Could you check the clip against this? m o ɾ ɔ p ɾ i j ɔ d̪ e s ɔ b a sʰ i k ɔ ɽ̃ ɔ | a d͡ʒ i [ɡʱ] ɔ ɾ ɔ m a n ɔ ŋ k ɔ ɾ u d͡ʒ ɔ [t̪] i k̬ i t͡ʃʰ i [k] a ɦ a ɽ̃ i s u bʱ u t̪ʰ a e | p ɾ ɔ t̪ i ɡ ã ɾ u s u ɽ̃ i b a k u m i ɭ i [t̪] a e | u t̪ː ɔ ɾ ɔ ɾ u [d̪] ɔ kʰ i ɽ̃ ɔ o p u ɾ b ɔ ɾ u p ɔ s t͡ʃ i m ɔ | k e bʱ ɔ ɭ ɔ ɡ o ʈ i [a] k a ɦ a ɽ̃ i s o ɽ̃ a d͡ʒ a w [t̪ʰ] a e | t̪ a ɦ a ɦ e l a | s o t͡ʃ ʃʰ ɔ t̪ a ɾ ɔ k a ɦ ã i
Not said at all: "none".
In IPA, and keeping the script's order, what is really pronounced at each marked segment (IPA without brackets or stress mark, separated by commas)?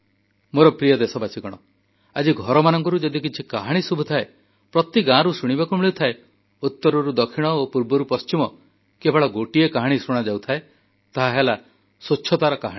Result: ɡʱ, d̪, k, t̪ʰ, d̪, e, t̪ʰ